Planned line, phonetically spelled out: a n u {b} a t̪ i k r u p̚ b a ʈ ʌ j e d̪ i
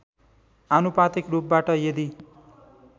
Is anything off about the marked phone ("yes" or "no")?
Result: yes